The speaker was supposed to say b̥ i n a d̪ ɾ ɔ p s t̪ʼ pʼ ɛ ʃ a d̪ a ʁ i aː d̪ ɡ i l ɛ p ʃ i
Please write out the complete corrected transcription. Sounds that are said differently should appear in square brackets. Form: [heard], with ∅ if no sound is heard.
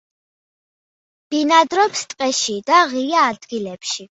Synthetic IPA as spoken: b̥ i n a d̪ ɾ ɔ p s t̪ʼ [qʼ] ɛ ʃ [i] d̪ a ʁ i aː d̪ ɡ i l ɛ p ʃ i